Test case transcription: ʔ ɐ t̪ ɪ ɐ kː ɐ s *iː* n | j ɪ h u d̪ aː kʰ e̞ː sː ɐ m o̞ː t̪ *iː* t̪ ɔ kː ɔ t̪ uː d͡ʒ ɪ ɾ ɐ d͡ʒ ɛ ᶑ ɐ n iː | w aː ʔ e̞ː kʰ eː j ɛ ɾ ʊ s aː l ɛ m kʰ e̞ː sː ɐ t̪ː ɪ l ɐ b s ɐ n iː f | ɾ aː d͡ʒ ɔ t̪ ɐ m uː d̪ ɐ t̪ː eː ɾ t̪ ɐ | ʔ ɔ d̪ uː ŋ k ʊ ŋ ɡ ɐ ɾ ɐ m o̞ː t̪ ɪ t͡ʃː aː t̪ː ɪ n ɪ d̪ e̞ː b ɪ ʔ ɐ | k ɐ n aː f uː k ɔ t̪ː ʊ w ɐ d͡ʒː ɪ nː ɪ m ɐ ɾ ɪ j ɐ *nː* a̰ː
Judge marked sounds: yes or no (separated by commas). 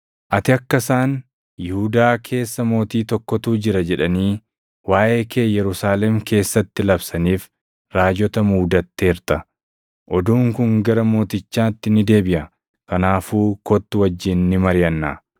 no, yes, yes